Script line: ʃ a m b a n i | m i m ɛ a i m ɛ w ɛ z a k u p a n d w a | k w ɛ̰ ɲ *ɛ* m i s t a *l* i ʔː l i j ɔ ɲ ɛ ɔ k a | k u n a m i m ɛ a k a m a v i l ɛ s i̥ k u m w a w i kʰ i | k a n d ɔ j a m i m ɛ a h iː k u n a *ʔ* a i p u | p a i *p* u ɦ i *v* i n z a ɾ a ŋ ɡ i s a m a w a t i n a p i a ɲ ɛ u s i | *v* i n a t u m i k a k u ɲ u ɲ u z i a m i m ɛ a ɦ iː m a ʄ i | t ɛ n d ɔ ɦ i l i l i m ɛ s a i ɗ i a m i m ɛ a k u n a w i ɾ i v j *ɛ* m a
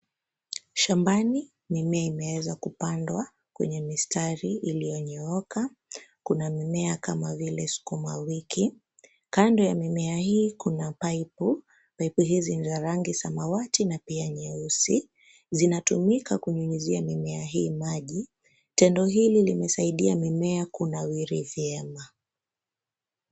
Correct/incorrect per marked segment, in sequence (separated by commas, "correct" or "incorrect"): correct, incorrect, incorrect, correct, incorrect, incorrect, correct